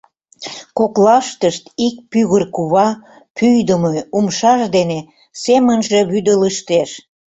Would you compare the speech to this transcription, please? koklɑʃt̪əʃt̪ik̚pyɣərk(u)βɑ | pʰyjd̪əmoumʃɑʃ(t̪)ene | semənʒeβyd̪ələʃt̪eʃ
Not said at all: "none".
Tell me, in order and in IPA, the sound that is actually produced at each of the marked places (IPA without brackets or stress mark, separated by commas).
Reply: u, d̪